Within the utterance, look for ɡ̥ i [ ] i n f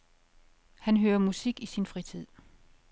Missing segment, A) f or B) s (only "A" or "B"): B